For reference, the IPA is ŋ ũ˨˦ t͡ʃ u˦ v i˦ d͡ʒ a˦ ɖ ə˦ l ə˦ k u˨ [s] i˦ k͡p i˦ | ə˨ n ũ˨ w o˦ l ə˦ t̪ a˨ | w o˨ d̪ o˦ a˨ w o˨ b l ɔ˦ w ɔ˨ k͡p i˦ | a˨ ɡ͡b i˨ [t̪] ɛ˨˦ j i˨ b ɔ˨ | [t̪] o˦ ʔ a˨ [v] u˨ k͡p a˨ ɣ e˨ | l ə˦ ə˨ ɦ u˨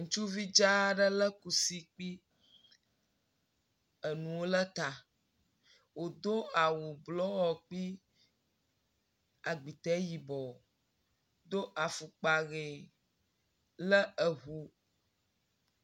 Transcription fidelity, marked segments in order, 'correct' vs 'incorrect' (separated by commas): correct, correct, incorrect, incorrect